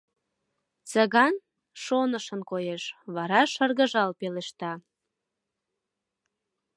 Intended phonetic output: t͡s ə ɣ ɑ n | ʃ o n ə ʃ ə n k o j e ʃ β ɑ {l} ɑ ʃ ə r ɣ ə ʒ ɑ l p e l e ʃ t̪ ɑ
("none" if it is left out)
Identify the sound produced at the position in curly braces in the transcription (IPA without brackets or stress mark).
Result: ɾ